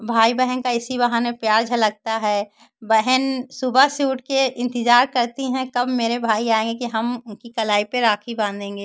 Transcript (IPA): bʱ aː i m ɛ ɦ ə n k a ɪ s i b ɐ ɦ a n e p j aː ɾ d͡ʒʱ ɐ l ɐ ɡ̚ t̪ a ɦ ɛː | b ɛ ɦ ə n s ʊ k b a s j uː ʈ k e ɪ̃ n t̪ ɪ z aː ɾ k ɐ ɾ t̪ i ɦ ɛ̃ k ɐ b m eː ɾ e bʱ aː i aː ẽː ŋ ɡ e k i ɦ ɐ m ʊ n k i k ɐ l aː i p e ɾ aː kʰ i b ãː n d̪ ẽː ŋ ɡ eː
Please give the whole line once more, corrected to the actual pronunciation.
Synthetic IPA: bʱ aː i b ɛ ɦ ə n k a ɪ s i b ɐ ɦ a n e p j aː ɾ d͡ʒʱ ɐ l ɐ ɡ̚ t̪ a ɦ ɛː | b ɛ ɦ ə n s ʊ b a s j uː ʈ k e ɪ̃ n t̪ ɪ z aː ɾ k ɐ ɾ t̪ i ɦ ɛ̃ k ɐ b m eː ɾ e bʱ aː i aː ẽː ŋ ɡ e k i ɦ ɐ m ʊ n k i k ɐ l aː i p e ɾ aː kʰ i b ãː n d̪ ẽː ŋ ɡ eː